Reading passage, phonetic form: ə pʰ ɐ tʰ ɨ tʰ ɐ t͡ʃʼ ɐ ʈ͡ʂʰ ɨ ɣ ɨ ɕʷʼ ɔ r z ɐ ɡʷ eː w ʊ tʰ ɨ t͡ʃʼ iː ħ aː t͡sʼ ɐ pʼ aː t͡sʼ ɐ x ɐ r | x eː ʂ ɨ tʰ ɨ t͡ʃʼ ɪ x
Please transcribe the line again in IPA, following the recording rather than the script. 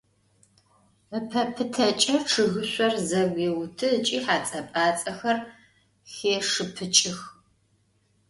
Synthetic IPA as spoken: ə pʰ ɐ pʰ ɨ tʰ ɐ t͡ʃʼ ɐ ʈ͡ʂʰ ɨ ɣ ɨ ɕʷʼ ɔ r z ɐ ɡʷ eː w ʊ tʰ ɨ t͡ʃʼ iː ħ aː t͡sʼ ɐ pʼ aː t͡sʼ ɐ x ɐ r | x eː ʂ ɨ pʰ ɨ t͡ʃʼ ɪ x

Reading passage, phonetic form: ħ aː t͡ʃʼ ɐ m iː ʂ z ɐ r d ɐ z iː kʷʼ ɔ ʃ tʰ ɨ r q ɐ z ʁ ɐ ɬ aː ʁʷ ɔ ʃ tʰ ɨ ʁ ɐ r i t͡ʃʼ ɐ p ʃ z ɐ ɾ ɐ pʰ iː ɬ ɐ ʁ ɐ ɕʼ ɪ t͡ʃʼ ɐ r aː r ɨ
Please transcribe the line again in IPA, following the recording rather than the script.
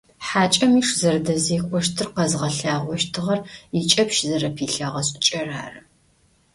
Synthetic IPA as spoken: ħ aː t͡ʃʼ ɐ m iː ʂ z ɐ r d ɐ z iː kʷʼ ɔ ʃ tʰ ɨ r q ɐ z ʁ ɐ ɬ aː ʁʷ ɔ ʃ tʰ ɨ ʁ ɐ r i t͡ʃʼ ɐ p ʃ z ɐ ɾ ɐ pʰ iː ɬ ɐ ʁ ɐ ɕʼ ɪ t͡ʃʼ ɐ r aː r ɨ

